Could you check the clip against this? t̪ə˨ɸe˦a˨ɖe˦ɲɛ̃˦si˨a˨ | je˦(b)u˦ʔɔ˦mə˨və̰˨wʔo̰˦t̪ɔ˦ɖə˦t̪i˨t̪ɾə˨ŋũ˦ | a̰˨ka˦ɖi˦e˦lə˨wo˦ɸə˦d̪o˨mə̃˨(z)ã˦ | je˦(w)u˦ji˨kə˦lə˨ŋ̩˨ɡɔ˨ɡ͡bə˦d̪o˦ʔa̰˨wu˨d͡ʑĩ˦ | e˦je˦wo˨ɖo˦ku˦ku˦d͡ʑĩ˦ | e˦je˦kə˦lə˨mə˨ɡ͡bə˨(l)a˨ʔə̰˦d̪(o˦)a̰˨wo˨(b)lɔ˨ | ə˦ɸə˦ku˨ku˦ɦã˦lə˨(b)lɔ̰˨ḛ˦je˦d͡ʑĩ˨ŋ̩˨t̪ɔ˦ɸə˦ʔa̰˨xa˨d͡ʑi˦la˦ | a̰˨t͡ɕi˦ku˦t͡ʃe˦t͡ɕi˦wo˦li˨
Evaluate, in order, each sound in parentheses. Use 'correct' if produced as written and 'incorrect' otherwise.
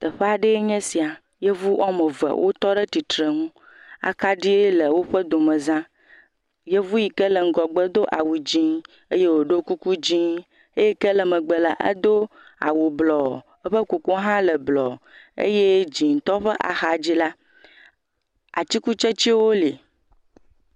incorrect, correct, incorrect, correct, correct, correct, correct

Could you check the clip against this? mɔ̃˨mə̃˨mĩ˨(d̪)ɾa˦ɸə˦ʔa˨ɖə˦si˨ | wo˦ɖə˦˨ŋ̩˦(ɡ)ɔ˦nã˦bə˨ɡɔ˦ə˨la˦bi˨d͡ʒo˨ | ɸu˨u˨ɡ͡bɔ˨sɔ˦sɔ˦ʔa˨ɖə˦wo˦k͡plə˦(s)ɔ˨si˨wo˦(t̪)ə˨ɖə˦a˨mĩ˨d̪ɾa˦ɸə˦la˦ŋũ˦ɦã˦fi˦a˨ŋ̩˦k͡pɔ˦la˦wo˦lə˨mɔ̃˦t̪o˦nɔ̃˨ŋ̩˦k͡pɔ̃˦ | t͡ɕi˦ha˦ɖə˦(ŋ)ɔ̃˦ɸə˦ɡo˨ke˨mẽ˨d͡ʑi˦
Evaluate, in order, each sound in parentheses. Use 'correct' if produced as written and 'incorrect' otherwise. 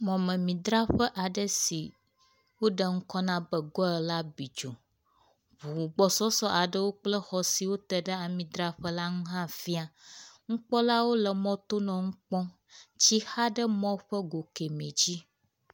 correct, incorrect, incorrect, correct, incorrect

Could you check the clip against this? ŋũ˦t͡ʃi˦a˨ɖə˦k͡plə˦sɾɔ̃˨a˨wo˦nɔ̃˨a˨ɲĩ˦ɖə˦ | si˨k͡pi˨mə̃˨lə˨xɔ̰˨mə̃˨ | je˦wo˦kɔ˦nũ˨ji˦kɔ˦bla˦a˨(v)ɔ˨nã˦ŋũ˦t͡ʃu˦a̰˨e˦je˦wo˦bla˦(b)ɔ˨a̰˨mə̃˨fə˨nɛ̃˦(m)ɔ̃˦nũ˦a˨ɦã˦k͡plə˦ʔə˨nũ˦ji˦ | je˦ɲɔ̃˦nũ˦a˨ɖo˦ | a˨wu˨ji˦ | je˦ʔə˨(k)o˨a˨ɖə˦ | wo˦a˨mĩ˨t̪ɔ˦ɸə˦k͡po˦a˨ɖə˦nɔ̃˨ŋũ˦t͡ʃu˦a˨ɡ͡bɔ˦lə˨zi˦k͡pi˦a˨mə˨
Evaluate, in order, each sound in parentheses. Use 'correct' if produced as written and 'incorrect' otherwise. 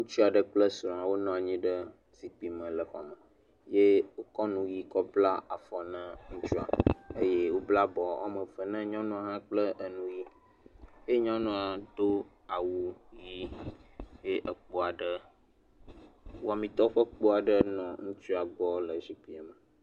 incorrect, correct, incorrect, incorrect

